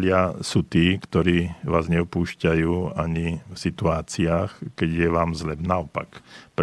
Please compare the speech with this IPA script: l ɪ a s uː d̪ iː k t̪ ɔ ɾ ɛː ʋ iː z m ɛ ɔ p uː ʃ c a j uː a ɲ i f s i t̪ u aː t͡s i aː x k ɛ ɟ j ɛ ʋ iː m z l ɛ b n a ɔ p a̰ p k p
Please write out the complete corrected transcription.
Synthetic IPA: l ɪ a s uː t̪ iː k t̪ ɔ ɾ iː ʋ aː z ɲ ɛ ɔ p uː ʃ c a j uː a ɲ i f s i t̪ u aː t͡s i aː x k ɛ ɟ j ɛ ʋ aː m z l ɛ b n a ɔ p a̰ k p